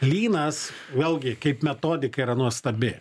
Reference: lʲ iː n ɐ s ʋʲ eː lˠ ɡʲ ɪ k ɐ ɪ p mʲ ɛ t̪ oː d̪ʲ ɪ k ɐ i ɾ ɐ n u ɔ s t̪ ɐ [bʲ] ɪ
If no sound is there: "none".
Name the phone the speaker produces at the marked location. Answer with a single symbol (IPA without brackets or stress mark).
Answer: bʲ